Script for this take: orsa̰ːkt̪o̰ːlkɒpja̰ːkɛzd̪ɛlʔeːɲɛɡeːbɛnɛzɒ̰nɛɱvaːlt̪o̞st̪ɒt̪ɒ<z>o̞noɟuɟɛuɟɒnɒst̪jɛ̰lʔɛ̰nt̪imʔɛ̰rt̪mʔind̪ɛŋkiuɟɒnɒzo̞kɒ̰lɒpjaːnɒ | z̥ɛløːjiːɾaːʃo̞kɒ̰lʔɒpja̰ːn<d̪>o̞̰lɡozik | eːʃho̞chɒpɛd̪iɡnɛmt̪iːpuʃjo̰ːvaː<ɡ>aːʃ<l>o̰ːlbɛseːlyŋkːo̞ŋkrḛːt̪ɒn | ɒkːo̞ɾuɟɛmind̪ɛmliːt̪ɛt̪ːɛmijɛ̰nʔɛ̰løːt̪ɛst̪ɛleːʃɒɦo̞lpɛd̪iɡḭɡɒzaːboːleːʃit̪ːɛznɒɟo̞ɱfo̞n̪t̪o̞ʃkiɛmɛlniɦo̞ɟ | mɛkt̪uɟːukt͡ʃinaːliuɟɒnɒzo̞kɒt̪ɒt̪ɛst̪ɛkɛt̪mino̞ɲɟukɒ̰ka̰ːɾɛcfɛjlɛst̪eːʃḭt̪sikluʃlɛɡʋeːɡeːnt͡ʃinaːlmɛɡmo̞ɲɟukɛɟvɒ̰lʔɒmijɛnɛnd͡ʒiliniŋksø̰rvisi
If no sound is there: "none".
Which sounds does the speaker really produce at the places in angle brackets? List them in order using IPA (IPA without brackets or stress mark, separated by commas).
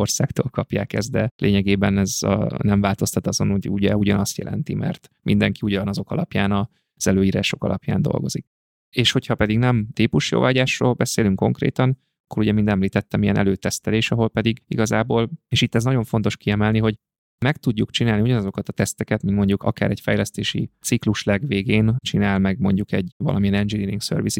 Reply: z, d̪, ɟ, r